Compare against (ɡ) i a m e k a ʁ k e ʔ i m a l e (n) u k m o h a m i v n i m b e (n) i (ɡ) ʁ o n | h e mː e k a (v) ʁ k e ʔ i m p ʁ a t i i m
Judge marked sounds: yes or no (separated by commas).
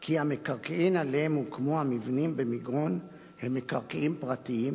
no, no, no, yes, no